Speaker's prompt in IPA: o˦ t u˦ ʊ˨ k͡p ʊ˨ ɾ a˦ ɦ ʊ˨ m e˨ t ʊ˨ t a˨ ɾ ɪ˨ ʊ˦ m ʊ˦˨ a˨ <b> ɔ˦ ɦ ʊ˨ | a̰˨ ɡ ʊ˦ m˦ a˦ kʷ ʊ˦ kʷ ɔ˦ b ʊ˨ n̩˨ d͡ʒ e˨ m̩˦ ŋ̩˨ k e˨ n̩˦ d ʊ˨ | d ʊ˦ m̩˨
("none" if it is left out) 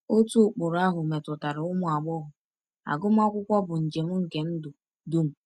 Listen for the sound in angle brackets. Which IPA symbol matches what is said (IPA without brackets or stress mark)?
ɡ͡b